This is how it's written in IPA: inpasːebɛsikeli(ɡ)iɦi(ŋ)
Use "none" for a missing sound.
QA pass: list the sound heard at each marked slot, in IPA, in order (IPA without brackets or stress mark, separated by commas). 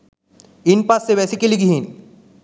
ɡ, n